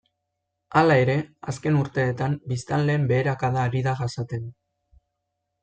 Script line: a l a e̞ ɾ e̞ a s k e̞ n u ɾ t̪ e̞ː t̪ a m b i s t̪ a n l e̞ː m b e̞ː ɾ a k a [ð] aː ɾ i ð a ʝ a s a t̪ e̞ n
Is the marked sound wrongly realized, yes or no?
no